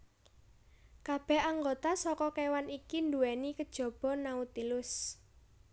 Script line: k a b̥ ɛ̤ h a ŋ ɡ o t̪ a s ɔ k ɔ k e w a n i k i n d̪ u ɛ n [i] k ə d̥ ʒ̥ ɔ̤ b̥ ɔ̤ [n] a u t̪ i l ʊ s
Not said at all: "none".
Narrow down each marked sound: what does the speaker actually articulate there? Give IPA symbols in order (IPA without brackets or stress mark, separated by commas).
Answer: i, n